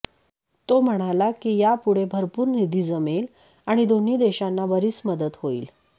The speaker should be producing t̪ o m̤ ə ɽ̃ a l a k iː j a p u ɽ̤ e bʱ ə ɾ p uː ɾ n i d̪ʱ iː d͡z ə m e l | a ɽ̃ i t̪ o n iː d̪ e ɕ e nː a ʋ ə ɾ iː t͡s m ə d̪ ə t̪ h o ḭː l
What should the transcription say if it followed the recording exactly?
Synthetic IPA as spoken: t̪ o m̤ ə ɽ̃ a l a k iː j a p u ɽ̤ e bʱ ə ɾ p uː ɾ n i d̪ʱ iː d͡z ə m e l | a ɽ̃ i d̪ o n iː d̪ e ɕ a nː a ʋ ə ɾ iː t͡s m ə d̪ ə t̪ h o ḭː l